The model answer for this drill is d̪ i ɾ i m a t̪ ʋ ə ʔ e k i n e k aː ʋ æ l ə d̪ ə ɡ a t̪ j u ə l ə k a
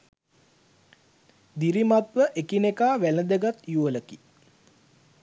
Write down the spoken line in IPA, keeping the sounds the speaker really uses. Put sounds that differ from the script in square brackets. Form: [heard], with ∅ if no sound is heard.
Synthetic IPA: d̪ i ɾ i m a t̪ ʋ ə ʔ e k i n e k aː ʋ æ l ə d̪ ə ɡ a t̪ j u ə l ə k [i]